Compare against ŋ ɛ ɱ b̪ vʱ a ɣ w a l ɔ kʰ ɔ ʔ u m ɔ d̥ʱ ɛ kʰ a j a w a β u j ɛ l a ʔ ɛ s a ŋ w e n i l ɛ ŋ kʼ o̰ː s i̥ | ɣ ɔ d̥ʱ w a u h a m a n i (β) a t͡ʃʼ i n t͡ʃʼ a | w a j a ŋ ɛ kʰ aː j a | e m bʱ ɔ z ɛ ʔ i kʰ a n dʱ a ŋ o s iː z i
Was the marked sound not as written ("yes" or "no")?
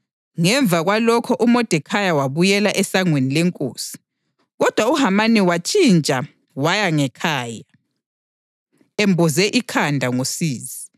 yes